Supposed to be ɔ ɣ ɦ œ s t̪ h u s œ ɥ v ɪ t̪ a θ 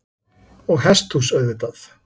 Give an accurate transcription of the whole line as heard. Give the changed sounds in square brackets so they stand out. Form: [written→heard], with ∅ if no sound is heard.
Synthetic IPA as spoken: ɔ ɣ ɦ [œ→ɛ] s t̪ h u s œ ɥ [v→ð] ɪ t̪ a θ